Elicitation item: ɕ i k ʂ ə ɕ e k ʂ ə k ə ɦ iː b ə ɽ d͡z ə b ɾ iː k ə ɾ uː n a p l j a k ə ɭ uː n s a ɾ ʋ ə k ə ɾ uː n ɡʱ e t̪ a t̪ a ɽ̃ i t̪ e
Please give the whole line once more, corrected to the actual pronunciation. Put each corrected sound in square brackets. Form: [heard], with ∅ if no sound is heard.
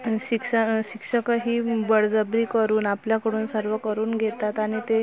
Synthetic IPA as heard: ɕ i k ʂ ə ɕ [i] k ʂ ə k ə ɦ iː b ə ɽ d͡z ə b ɾ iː k ə ɾ uː n a p l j a k ə [ɽ] uː n s [ə] ɾ ʋ ə k ə ɾ uː n ɡʱ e t̪ a t̪ a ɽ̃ i t̪ e